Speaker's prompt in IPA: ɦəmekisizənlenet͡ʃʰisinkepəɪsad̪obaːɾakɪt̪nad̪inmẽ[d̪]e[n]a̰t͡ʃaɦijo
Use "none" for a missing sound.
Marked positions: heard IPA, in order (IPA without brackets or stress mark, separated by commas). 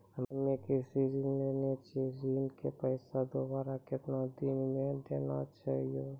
d̪, n